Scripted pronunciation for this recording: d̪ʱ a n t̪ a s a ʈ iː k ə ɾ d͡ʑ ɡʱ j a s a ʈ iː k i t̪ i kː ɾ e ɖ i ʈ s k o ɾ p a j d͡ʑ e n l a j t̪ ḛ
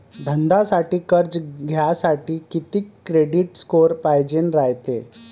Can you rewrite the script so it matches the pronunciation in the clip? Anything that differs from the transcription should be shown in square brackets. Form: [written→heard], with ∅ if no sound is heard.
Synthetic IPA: d̪ʱ [a→ə] n [t̪→d̪] a s a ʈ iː k ə ɾ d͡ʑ ɡʱ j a s a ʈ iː k i t̪ i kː ɾ e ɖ i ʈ s k o ɾ p a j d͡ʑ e n [l→ɾ] a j t̪ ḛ